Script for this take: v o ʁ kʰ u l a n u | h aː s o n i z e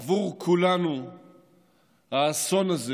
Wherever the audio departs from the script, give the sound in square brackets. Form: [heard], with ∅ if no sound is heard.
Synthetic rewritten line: v [u] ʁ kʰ u l a n u | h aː s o n [a] z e